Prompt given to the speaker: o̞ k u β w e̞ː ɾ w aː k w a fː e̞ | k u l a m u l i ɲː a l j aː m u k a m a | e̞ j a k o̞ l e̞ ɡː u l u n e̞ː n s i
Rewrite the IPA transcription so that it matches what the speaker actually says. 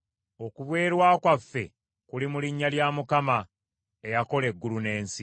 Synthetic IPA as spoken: o̞ k u β w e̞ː ɾ w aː k w a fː e̞ | k u l i m u l i ɲː a l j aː m u k a m a | e̞ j a k o̞ l e̞ ɡː u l u n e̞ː n s i